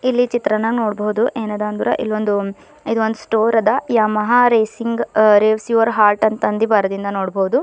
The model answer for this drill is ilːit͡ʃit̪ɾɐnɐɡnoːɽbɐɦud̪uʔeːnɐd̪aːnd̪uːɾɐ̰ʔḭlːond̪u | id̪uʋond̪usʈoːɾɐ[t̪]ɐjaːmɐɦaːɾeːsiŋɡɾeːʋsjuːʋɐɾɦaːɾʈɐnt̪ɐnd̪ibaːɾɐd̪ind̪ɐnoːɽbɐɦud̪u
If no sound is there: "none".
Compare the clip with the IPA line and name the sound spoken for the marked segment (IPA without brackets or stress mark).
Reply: d̪